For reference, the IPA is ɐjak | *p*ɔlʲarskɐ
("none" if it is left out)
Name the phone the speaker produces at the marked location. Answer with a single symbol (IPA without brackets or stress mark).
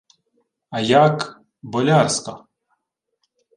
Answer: b